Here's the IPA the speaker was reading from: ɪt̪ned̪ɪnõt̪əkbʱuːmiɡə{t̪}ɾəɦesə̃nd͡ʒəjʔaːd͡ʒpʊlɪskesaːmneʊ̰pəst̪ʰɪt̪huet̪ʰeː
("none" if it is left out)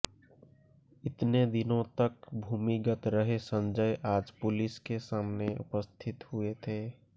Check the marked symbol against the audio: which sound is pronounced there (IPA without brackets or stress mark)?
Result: t̪